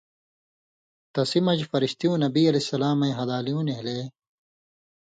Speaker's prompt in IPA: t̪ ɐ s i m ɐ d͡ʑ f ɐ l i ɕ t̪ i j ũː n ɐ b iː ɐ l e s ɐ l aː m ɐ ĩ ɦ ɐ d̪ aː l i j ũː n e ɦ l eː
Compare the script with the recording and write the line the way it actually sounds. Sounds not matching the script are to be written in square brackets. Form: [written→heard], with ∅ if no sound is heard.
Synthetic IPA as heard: t̪ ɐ s i m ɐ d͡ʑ f ɐ [l→ɾ] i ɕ t̪ i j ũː n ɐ b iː ɐ l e s ɐ l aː m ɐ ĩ ɦ ɐ d̪ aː l i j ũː n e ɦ l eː